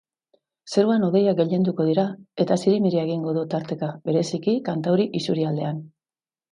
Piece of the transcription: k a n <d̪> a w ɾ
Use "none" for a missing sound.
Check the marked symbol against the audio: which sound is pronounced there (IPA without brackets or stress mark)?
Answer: t̪